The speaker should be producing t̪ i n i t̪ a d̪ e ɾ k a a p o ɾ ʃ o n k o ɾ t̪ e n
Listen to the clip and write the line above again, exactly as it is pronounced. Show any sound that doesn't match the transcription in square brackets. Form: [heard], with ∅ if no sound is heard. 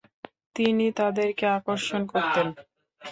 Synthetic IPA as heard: t̪ i n i t̪ a d̪ e ɾ k [e] a [k] o ɾ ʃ o n k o ɾ t̪ e n

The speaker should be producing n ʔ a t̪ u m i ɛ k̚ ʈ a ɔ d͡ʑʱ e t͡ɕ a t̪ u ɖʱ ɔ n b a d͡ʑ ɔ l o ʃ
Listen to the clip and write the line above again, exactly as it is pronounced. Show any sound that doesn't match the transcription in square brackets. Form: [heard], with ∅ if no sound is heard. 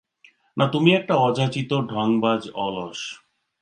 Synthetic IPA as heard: n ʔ a t̪ u m i ɛ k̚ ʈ a ɔ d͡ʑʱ [a] t͡ɕ [i] t̪ [o] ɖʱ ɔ [ŋ] b a d͡ʑ ɔ l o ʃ

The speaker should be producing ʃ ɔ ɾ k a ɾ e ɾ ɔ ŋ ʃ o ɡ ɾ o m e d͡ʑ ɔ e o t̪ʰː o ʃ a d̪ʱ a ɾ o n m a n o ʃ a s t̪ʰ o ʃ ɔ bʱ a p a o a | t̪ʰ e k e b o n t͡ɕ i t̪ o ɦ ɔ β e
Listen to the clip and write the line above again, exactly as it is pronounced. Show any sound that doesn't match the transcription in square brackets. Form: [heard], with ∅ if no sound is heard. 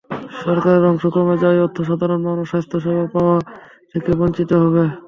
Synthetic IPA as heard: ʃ ɔ ɾ k a ɾ e ɾ ɔ ŋ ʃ o [k] ɾ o m e d͡ʑ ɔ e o t̪ʰː o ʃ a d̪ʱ a ɾ o n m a n o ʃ a s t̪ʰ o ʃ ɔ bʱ a p a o a | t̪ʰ e k e b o n t͡ɕ i t̪ o ɦ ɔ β e

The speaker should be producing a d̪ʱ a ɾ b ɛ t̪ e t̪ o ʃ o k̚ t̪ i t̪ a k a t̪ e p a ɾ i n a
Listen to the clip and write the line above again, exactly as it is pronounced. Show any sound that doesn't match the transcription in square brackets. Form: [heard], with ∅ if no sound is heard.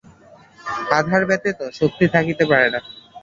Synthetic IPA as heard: a d̪ʱ a ɾ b ɛ t̪ e t̪ o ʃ o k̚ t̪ i [t̪ʰ] a k [i] t̪ e p a ɾ [e] n a

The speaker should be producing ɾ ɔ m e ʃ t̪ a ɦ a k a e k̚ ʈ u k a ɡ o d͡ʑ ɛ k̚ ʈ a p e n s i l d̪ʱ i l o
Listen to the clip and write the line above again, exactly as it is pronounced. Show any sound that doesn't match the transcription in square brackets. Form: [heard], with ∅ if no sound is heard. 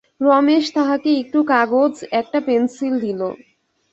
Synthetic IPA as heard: ɾ ɔ m e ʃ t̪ a ɦ a k [e] e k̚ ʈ u k a ɡ o d͡ʑ ɛ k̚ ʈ a p e n s i l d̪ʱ i l o

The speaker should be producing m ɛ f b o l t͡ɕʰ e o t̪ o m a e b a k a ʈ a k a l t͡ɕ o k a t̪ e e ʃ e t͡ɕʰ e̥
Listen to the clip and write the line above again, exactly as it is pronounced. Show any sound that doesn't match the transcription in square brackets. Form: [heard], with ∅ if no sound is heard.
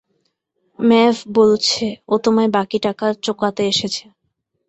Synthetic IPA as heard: m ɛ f b o l t͡ɕʰ e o t̪ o m a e b a k [i] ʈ a k a [ɾ] t͡ɕ o k a t̪ e e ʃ e t͡ɕʰ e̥

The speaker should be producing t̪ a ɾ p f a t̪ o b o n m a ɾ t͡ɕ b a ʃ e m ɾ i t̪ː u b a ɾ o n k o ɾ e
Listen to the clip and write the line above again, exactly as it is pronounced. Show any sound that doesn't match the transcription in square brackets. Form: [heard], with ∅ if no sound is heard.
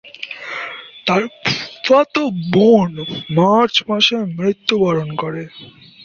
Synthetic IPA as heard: t̪ a ɾ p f a t̪ o b o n m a ɾ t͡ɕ [m] a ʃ e m ɾ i t̪ː u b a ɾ o n k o ɾ e

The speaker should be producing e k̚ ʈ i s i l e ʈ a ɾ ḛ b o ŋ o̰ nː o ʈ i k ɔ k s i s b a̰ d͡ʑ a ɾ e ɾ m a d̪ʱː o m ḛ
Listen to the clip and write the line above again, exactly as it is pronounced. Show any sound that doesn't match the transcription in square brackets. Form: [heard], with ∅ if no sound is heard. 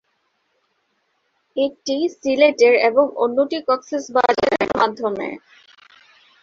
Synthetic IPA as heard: e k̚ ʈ i s i l e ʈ [e] ɾ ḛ b o ŋ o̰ nː o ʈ i k ɔ k s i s b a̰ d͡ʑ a ɾ e ɾ m a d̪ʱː o m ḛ

